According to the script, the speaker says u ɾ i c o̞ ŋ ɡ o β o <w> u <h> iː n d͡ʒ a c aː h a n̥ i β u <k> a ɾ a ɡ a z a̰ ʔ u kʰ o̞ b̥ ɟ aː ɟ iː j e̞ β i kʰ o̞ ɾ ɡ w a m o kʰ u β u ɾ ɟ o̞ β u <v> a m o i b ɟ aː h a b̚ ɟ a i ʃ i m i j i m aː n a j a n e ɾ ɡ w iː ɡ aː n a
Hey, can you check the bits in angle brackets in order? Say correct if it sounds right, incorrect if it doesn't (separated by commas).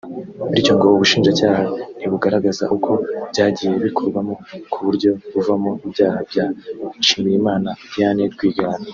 incorrect, incorrect, incorrect, correct